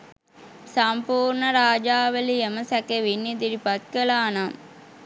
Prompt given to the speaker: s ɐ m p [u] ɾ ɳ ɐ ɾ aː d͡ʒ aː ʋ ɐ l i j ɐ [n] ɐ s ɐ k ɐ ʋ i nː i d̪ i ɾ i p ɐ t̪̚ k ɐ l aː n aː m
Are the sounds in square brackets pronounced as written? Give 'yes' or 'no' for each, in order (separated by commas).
no, no